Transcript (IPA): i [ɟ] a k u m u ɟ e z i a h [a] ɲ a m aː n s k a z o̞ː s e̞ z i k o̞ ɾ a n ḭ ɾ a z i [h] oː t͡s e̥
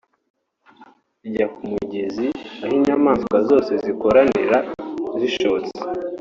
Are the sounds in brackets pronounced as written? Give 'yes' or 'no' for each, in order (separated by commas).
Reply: yes, no, no